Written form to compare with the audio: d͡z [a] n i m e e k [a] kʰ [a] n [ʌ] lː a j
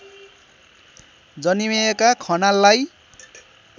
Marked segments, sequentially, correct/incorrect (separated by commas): incorrect, correct, incorrect, incorrect